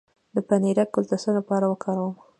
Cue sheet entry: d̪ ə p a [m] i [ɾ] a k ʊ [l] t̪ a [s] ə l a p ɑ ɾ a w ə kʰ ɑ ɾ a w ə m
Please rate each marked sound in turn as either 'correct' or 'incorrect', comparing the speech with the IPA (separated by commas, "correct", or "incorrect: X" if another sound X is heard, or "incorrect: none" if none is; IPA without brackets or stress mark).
incorrect: n, correct, correct, correct